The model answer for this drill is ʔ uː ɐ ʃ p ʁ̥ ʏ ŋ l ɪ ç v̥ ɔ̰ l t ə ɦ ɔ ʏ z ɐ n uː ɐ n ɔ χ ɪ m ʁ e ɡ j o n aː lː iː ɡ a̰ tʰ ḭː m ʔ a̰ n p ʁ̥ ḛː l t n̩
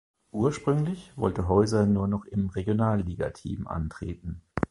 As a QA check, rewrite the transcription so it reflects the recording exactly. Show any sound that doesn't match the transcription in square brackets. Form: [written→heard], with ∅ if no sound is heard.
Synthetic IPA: ʔ uː ɐ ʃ p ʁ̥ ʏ ŋ l ɪ ç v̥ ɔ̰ l t ə ɦ ɔ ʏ z ɐ n uː ɐ n ɔ χ ɪ m ʁ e ɡ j o n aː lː iː ɡ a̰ tʰ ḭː m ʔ a̰ n [p→t] ʁ̥ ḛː [l→∅] t n̩